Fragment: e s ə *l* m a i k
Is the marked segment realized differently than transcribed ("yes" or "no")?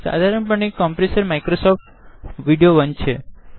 yes